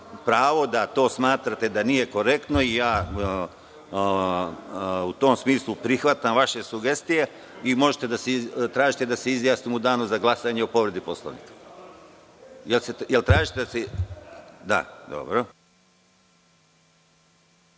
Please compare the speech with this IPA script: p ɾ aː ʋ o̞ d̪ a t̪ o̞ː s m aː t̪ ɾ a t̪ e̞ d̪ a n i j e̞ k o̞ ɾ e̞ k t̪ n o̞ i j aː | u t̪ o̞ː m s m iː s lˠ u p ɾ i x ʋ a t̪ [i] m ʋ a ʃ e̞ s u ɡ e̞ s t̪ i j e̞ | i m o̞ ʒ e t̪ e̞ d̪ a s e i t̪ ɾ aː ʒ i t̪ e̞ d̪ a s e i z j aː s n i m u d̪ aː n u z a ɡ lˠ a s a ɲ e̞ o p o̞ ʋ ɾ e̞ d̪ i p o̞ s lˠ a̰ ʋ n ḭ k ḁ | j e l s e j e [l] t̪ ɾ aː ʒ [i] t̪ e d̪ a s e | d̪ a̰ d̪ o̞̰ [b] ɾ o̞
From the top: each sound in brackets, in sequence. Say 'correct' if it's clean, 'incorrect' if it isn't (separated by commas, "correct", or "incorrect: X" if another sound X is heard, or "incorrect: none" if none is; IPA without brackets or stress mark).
incorrect: a, correct, correct, correct